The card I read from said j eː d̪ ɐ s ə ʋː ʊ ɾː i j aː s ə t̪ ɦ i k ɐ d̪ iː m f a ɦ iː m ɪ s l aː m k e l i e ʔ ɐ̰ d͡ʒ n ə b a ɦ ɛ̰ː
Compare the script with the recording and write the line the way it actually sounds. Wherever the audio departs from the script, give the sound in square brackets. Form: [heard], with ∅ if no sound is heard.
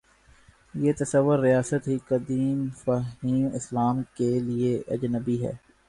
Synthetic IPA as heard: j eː [t̪] ɐ s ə ʋː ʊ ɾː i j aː s ə t̪ ɦ i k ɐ d̪ iː m f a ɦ iː m ɪ s l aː m k e l i e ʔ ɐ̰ d͡ʒ n ə b [i] ɦ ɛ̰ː